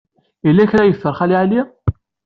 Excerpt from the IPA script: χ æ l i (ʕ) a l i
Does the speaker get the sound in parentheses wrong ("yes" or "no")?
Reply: no